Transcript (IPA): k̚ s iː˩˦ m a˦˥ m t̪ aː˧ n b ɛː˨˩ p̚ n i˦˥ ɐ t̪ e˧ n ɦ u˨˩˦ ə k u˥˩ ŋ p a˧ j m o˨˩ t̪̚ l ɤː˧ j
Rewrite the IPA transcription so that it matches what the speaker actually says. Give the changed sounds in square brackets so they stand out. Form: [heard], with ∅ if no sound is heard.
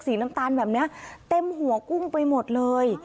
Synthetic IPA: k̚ s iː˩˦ [n] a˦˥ m t̪ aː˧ n b ɛː˨˩ p̚ n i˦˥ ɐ t̪ e˧ [m] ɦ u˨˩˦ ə k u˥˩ ŋ p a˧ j m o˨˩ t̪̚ l ɤː˧ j